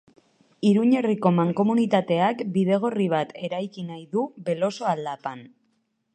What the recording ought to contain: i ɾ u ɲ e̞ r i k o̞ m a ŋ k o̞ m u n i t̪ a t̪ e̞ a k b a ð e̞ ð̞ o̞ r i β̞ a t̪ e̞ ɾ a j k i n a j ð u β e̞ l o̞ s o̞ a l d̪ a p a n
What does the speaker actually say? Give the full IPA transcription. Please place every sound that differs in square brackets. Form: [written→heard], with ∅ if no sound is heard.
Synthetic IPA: i ɾ u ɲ e̞ r i k o̞ m a ŋ k o̞ m u n i t̪ a t̪ e̞ a k b [a→i] ð e̞ [ð̞→ɣ̞] o̞ r i β̞ a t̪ e̞ ɾ a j k i n a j ð u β e̞ l o̞ s o̞ a l d̪ a p a n